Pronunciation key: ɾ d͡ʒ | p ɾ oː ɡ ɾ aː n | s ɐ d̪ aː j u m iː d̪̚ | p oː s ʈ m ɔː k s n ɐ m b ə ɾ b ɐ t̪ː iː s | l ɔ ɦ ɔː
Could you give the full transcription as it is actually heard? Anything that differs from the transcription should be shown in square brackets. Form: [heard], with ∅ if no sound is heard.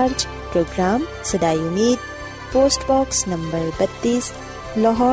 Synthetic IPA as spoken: ɾ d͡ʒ | p ɾ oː ɡ ɾ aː [m] | s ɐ d̪ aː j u m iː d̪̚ | p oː s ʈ [b] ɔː k s n ɐ m b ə ɾ b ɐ t̪ː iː s | l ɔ ɦ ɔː